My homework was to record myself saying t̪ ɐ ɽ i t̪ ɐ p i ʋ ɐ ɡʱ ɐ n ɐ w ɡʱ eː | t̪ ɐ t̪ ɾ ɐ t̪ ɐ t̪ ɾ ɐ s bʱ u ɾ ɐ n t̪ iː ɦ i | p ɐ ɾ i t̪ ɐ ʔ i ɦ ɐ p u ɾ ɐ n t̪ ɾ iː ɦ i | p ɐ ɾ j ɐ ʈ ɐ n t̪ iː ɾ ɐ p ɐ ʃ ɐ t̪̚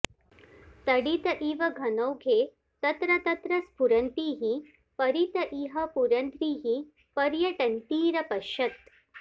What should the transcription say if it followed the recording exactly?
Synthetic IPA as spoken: t̪ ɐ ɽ i t̪ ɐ ʔ i ʋ ɐ ɡʱ ɐ n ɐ w ɡʱ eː | t̪ ɐ t̪ ɾ ɐ t̪ ɐ t̪ ɾ ɐ s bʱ u ɾ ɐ n t̪ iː ɦ i | p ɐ ɾ i t̪ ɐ ʔ i ɦ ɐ p u ɾ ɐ n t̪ ɾ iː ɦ i | p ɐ ɾ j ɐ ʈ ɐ n t̪ iː ɾ ɐ p ɐ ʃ ɐ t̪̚